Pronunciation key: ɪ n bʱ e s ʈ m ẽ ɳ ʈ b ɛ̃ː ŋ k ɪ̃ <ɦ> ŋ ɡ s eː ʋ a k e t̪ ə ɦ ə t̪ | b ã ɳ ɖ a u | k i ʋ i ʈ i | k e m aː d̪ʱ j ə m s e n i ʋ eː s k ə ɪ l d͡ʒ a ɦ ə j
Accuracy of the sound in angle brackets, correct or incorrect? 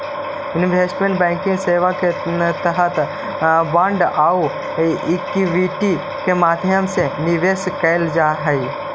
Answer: incorrect